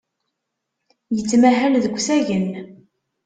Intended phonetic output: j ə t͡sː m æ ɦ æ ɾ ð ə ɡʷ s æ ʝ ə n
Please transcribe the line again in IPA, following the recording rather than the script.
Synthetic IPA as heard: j ə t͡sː m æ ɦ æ l ð ə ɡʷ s æ ʝ ə n